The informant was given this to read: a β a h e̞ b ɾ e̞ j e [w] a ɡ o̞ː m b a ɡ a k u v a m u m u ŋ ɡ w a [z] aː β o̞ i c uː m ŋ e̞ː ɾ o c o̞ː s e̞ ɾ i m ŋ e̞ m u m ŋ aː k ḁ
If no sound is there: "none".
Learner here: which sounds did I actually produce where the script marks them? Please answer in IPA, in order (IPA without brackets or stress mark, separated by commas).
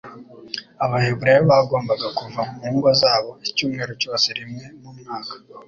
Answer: β, z